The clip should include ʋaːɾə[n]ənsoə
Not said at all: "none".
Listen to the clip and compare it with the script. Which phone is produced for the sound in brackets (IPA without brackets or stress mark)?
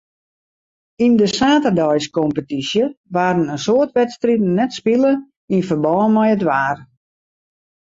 n